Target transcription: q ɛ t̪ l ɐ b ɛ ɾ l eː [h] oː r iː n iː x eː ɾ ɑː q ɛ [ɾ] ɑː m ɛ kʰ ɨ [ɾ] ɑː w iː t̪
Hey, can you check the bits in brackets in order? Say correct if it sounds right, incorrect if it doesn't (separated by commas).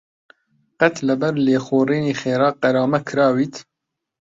incorrect, correct, correct